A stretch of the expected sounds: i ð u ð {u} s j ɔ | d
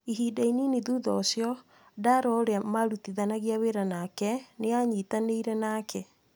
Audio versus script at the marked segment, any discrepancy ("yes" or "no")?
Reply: yes